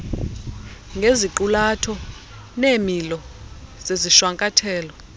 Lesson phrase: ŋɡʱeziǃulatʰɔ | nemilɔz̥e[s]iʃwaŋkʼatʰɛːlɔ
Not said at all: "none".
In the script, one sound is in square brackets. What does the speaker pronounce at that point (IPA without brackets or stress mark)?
z